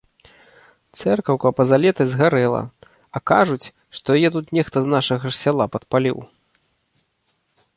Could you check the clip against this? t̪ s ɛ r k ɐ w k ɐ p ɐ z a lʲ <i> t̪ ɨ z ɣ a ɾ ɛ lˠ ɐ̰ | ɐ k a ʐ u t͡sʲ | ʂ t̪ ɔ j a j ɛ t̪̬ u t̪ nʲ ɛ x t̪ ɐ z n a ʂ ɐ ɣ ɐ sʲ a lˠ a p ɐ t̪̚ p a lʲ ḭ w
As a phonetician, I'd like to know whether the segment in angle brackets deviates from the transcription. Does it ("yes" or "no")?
yes